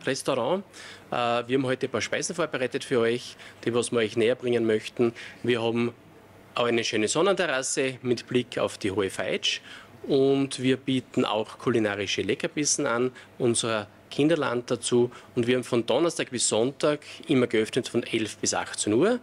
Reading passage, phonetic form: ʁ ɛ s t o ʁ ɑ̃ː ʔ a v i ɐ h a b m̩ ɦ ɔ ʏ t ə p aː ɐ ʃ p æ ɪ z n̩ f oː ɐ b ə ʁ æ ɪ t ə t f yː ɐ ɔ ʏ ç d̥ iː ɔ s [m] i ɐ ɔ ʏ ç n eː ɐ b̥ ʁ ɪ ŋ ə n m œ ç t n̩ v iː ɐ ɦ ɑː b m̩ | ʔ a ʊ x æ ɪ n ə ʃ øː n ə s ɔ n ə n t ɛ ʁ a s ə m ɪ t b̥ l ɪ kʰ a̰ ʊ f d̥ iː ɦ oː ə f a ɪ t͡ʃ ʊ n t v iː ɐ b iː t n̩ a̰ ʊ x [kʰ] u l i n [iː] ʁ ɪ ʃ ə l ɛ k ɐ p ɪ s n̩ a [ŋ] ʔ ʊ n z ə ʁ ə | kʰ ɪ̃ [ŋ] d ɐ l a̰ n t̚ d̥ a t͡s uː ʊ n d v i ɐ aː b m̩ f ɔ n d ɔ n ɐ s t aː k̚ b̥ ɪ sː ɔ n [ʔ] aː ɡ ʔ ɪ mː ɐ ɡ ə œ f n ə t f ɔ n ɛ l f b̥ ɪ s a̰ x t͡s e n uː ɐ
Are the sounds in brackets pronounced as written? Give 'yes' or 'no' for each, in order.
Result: yes, yes, no, no, no, no

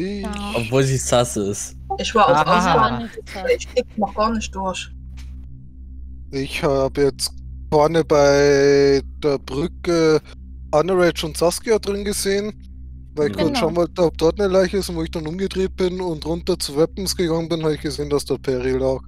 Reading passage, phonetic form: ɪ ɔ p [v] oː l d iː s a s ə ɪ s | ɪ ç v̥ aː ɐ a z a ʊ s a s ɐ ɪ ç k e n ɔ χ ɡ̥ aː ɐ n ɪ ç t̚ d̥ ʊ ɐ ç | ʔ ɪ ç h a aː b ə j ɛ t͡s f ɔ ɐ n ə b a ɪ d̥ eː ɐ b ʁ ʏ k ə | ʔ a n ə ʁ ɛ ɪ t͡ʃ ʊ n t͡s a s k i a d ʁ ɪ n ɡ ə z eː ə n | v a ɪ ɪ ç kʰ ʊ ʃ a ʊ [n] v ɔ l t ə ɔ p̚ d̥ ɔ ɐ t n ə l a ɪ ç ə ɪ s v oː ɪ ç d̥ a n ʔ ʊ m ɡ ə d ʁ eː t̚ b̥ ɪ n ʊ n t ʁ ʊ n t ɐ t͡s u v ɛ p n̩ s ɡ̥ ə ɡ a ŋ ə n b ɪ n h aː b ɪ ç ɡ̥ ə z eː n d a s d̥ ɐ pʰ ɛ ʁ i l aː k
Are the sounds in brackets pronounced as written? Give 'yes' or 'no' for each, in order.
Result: yes, yes

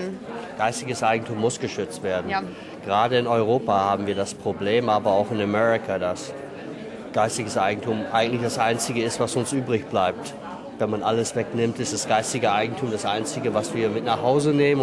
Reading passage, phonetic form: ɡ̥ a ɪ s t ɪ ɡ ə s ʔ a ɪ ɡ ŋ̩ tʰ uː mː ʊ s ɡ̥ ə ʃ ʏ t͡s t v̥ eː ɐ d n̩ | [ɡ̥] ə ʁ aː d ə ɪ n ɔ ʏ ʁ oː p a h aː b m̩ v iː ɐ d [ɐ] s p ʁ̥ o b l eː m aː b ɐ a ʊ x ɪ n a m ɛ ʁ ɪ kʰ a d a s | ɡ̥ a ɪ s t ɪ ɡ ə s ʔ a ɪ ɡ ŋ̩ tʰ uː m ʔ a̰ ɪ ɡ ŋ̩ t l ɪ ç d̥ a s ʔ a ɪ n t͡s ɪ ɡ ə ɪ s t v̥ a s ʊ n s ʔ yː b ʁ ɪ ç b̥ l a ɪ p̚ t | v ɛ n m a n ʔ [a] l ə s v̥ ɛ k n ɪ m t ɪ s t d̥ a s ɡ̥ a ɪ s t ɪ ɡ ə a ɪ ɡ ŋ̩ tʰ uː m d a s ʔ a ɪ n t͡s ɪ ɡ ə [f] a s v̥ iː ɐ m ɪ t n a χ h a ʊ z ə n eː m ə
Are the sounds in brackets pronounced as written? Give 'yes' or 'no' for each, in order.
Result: yes, no, yes, no

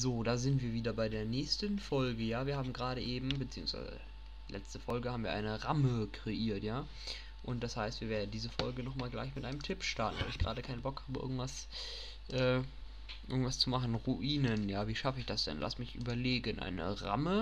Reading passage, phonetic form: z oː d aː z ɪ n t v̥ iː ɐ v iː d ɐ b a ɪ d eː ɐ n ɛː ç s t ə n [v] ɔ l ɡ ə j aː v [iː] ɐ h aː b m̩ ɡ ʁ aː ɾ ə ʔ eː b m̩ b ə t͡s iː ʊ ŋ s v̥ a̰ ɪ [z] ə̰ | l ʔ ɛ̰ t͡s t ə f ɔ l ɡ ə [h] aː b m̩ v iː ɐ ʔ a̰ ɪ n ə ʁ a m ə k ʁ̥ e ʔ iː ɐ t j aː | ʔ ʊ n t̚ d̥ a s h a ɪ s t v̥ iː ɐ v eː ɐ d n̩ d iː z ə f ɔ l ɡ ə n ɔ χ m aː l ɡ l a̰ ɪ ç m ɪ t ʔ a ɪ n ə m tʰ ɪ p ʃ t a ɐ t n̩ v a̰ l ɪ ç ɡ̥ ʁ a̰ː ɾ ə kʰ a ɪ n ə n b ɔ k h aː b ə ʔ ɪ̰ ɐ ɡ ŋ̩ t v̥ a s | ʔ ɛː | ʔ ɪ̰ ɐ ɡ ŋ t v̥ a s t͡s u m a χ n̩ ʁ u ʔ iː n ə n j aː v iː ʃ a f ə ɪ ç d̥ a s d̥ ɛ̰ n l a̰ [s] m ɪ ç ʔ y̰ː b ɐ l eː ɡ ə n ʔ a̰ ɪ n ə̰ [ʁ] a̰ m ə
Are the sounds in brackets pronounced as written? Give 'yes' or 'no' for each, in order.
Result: no, yes, yes, yes, yes, yes

